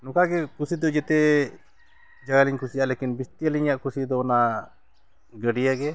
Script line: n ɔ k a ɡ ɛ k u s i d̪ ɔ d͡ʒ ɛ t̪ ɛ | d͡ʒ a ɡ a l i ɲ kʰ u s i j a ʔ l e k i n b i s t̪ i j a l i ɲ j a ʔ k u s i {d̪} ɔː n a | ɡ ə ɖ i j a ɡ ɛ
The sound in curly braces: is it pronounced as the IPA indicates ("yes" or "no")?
yes